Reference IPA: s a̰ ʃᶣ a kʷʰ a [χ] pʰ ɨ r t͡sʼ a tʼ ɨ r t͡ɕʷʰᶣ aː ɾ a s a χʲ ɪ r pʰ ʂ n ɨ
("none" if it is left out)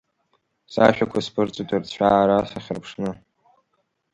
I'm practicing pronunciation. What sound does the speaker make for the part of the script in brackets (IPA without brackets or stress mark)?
s